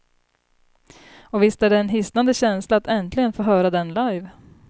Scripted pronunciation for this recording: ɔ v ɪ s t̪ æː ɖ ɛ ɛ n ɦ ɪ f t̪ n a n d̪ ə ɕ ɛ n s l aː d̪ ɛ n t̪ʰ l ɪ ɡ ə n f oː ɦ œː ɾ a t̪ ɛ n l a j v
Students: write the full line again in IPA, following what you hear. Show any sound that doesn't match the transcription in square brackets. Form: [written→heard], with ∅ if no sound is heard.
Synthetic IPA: ɔ v ɪ s t̪ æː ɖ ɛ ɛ n ɦ ɪ [f→s] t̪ n a n d̪ ə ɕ ɛ n s l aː [d̪→t̪] ɛ n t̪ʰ l ɪ ɡ ə n f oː ɦ œː ɾ a [t̪→d̪] ɛ n l a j v